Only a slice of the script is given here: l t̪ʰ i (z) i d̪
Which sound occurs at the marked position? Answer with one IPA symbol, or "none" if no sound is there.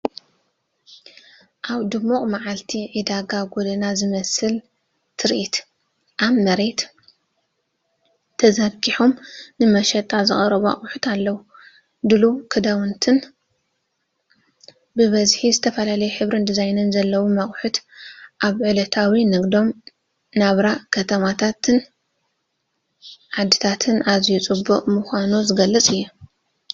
ʕ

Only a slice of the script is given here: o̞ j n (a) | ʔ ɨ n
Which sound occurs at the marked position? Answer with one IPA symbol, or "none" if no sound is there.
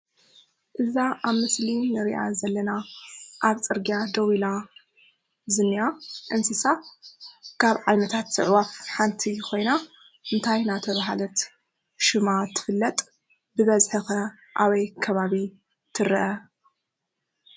a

